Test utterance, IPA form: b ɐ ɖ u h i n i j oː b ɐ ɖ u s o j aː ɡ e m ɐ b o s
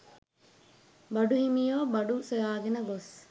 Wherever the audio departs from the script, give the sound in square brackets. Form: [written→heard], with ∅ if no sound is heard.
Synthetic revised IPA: b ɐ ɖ u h i [n→m] i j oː b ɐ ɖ u s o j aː ɡ e [m→n] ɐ [b→ɡ] o s